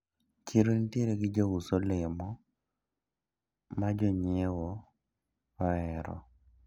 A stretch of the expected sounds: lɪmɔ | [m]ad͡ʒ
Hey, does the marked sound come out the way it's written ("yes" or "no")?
yes